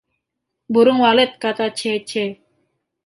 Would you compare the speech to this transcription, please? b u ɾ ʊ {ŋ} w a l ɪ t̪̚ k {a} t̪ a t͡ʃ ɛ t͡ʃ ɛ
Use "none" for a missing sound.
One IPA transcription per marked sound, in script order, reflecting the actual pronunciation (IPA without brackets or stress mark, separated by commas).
ŋ, a